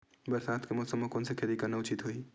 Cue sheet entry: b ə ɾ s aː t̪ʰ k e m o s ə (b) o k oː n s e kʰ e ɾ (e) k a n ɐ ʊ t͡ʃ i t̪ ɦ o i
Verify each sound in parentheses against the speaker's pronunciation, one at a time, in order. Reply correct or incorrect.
incorrect, incorrect

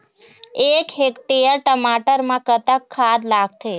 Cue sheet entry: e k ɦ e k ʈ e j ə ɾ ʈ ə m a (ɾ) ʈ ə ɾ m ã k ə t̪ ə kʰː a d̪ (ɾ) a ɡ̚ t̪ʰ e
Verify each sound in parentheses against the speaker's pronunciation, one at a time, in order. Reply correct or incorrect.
incorrect, incorrect

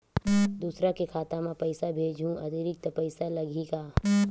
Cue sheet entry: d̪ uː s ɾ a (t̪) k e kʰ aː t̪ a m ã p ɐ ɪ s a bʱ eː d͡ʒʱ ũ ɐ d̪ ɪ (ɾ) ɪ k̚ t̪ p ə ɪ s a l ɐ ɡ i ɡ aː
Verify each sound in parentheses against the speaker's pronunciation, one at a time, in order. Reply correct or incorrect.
incorrect, correct

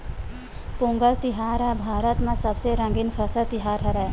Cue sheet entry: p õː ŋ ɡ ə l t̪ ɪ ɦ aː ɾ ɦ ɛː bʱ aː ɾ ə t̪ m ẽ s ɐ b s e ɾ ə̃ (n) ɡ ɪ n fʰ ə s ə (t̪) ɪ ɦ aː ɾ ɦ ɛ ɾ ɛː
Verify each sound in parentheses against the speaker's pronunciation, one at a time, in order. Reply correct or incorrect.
incorrect, correct

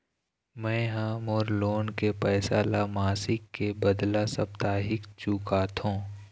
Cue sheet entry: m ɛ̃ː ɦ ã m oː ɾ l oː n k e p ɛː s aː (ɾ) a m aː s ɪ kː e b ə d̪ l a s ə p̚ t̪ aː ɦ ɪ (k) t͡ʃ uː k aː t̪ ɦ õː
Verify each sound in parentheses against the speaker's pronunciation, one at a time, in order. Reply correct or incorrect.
incorrect, correct

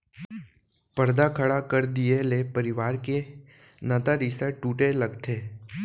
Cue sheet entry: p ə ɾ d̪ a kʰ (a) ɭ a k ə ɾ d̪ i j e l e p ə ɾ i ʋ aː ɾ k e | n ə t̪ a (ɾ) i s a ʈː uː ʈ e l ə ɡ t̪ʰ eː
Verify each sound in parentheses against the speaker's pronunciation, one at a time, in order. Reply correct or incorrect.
incorrect, correct

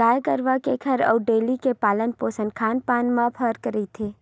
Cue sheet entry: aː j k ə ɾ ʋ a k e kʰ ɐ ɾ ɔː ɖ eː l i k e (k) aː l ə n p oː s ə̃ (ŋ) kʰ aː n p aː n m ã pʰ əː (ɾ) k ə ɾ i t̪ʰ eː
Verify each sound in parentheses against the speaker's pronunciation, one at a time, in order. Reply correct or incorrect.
incorrect, incorrect, correct

